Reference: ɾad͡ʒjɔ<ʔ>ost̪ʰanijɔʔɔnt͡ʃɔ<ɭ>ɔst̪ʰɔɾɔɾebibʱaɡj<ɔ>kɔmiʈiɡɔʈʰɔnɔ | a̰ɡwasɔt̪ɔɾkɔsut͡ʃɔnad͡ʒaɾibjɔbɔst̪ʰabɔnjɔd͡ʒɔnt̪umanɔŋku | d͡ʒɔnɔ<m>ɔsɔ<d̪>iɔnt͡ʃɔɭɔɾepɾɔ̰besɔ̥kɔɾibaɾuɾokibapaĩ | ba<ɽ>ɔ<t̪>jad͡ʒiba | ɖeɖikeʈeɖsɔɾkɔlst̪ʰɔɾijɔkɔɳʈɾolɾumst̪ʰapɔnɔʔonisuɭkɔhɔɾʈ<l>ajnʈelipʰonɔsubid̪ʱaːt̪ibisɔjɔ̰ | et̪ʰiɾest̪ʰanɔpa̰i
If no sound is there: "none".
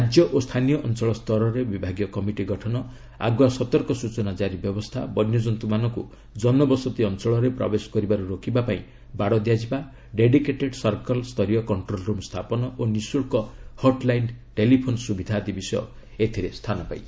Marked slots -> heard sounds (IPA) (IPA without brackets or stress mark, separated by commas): ʔ, ɭ, ɔ, b, t̪, ɽ, d̪, l